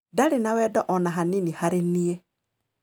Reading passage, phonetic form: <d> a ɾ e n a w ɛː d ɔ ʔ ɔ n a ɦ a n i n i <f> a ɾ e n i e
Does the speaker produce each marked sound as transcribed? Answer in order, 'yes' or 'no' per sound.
yes, no

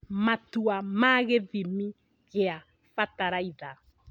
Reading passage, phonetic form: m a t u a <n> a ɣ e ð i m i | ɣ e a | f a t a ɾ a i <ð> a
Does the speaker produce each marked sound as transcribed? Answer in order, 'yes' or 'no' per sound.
no, yes

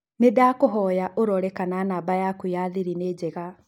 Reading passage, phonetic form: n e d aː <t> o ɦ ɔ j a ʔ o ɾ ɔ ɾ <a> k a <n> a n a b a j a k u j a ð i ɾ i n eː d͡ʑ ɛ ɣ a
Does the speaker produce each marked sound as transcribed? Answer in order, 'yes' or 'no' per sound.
no, no, yes

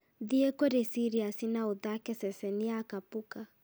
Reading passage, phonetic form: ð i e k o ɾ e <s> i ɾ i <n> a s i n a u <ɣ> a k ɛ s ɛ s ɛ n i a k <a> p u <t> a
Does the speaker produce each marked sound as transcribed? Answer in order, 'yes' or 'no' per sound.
yes, no, no, yes, no

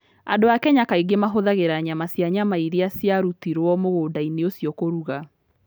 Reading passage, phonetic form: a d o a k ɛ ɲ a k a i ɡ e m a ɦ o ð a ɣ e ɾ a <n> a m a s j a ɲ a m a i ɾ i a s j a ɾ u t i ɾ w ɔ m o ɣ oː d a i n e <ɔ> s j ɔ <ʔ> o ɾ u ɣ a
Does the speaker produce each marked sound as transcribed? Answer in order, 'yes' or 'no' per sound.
no, no, no

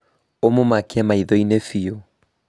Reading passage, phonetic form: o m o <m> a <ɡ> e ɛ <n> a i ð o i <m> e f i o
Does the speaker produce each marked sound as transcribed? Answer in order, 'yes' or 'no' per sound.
yes, no, no, no

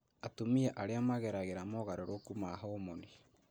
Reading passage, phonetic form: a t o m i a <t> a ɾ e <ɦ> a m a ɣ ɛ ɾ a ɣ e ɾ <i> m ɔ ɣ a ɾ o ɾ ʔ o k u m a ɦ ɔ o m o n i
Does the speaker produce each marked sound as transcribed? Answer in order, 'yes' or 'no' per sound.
no, no, no

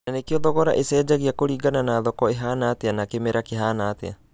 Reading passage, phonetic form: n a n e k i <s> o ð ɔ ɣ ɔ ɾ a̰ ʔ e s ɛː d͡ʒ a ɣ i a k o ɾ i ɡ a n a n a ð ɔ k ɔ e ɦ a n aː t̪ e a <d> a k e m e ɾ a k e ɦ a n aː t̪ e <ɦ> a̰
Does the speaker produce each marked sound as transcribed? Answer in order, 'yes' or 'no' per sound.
no, no, no

